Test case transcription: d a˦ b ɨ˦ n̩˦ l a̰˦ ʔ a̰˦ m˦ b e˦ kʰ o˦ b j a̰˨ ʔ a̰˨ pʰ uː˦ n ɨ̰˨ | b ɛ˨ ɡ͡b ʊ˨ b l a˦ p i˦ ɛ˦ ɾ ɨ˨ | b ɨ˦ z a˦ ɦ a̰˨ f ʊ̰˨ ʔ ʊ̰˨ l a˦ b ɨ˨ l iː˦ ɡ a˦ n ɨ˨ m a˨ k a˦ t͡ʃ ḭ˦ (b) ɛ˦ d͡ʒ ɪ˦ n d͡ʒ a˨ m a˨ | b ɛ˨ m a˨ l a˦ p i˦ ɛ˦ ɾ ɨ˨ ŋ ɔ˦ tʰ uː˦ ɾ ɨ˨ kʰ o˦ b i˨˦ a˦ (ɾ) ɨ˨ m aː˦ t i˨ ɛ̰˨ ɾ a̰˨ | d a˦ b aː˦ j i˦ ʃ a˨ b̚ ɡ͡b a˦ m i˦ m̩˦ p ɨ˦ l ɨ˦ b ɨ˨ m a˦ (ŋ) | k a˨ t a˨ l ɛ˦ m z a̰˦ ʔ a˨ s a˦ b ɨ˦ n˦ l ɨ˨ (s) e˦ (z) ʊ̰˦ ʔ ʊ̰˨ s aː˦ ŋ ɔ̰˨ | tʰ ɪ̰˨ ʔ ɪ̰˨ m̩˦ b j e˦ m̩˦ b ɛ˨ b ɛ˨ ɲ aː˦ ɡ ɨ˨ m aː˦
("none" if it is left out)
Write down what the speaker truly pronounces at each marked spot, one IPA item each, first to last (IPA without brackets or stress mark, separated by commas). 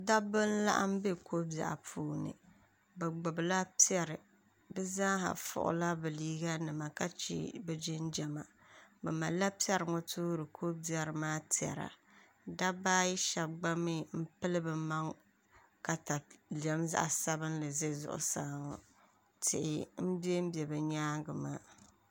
b, ɾ, ŋ, z, z